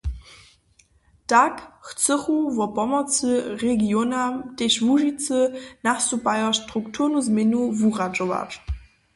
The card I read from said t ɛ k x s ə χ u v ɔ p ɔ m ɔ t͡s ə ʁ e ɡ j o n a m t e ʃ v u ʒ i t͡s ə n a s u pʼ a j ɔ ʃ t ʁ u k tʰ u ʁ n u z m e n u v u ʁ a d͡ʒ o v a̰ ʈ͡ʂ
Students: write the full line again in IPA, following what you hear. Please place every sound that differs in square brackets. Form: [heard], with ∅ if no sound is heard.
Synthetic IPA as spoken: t [a] k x [t͡s] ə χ u v ɔ p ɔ m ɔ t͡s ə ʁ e ɡ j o n a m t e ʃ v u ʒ i t͡s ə n a s u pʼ a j ɔ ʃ t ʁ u k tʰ u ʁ n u z m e n u v u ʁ a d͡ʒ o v a̰ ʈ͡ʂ